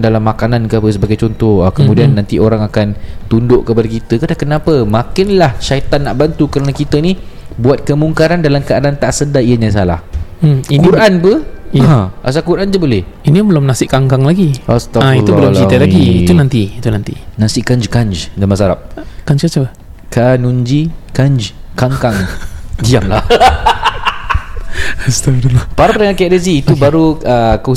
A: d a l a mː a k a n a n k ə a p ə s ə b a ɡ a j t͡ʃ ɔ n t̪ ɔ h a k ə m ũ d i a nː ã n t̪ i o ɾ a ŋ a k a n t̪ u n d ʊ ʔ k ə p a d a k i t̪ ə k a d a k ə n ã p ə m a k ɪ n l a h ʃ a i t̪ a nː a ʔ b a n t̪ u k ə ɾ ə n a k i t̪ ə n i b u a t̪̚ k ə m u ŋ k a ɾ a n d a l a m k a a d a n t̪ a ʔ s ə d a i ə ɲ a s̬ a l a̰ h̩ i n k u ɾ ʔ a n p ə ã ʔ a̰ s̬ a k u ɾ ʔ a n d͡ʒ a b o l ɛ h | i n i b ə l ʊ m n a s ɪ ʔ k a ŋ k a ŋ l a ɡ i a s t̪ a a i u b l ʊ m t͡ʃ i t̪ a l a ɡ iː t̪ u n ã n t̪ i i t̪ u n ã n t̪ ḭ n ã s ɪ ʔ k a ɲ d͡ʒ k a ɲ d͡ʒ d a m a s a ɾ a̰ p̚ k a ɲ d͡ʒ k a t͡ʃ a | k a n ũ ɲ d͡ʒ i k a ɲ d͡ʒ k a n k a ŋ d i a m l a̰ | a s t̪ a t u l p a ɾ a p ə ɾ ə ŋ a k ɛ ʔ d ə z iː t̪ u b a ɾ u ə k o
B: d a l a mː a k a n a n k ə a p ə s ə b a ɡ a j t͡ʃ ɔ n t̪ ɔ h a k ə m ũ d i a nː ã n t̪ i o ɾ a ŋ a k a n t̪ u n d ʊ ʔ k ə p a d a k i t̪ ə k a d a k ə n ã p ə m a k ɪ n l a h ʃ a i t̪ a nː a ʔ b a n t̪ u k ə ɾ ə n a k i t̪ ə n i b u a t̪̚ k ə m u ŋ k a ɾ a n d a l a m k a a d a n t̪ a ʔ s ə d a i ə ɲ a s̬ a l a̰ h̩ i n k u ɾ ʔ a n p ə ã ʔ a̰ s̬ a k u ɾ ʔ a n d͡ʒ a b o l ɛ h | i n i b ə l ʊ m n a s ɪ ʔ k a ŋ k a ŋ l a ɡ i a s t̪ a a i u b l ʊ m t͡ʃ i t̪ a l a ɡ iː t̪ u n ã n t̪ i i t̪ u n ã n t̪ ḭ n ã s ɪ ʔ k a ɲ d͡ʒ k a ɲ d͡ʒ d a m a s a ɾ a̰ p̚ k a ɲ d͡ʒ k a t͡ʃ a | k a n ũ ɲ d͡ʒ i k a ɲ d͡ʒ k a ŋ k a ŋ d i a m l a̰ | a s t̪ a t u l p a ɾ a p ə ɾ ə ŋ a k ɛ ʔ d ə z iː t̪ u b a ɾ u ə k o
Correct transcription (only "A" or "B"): B